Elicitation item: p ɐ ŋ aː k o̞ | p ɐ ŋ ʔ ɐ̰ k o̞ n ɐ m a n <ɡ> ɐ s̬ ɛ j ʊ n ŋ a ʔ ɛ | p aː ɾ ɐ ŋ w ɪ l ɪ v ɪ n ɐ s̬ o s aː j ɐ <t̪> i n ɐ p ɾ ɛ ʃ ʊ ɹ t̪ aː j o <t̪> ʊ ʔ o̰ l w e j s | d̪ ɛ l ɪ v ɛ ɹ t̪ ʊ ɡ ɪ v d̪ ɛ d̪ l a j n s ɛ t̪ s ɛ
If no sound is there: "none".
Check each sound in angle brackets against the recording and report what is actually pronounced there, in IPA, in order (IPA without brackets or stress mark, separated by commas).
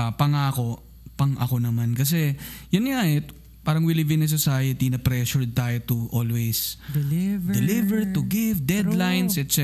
k, t̪, t̪